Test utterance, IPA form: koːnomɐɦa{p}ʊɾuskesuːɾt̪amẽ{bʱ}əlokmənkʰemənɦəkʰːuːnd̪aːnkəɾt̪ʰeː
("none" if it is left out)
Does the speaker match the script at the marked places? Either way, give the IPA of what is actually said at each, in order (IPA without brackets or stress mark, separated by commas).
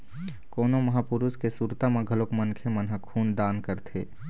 p, ɡʱ